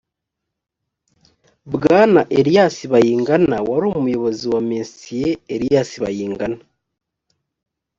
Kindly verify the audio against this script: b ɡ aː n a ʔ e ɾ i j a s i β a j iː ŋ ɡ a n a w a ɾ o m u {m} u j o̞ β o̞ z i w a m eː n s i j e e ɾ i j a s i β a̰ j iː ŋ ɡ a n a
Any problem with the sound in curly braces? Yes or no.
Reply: no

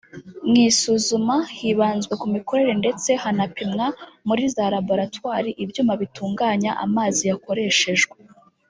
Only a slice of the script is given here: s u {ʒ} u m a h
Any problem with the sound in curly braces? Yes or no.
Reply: yes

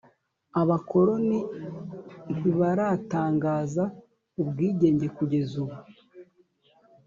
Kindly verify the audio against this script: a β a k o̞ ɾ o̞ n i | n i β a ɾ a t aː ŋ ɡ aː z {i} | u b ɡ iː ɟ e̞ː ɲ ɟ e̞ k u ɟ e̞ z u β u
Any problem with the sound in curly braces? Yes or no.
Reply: yes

